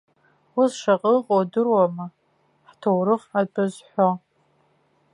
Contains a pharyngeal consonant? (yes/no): yes